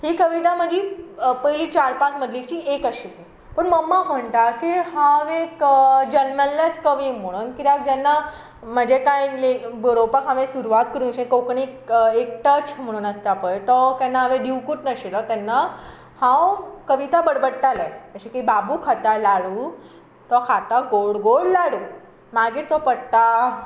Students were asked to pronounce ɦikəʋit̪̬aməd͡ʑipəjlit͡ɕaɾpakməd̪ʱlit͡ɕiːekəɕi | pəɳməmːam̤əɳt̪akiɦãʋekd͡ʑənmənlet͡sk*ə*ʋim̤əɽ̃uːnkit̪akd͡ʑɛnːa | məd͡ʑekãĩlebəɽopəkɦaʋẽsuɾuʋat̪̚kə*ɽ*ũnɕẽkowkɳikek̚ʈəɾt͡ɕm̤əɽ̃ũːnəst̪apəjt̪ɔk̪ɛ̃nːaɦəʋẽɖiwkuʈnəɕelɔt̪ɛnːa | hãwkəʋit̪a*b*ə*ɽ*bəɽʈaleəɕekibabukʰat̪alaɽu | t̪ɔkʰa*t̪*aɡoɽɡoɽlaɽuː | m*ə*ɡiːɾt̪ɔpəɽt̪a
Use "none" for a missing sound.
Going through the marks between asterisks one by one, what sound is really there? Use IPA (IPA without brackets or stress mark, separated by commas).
ə, ɾ, b, ɽ, t̪, a